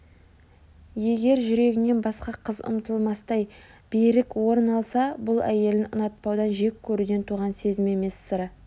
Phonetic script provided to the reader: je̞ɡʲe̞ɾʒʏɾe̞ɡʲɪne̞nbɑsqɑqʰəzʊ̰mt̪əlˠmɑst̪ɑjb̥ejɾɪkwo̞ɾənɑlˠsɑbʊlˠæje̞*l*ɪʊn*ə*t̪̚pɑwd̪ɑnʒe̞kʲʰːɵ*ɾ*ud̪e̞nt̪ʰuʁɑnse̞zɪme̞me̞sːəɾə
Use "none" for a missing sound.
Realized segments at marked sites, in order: l, ɑ, ɾ

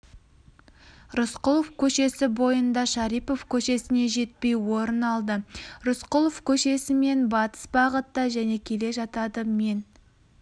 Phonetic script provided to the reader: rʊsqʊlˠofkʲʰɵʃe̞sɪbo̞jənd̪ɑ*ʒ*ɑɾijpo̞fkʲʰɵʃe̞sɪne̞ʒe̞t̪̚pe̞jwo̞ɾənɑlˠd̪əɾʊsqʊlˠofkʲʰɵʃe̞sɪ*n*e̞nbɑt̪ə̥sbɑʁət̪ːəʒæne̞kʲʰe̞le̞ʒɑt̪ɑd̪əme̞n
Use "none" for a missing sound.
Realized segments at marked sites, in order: ʃ, m

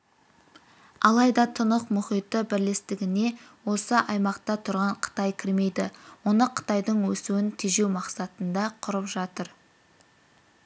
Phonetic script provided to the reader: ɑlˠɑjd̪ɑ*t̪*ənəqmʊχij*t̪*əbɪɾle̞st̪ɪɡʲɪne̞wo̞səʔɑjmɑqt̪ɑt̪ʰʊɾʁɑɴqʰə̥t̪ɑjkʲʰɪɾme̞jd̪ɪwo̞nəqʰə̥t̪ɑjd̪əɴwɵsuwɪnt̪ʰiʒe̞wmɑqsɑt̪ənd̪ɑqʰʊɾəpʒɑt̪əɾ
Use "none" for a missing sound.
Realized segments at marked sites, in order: t̪ʰ, t̪

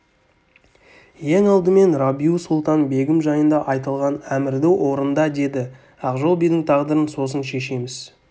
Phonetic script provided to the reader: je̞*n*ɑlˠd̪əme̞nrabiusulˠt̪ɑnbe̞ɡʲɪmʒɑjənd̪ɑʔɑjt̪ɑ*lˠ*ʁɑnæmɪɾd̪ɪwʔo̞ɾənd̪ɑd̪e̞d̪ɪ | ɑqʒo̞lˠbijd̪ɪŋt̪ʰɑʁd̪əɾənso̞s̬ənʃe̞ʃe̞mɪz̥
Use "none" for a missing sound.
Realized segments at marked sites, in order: ŋ, lˠ

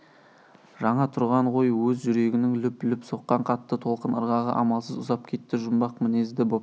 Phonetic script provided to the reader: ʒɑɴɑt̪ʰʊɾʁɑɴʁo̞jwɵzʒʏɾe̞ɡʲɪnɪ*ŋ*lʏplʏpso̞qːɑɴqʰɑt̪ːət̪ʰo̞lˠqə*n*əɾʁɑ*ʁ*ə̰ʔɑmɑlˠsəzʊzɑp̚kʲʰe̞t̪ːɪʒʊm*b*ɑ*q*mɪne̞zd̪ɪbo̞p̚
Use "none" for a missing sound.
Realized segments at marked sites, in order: ŋ, n, ʁ, b, q

